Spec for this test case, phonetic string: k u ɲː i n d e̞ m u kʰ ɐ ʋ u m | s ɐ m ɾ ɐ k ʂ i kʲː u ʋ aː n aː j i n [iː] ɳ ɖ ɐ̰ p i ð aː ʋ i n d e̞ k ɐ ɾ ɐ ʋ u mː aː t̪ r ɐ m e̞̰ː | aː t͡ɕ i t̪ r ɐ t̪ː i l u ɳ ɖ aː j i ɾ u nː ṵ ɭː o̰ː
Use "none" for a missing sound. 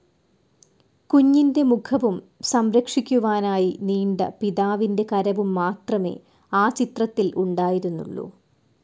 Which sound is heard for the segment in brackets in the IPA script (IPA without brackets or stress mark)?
iː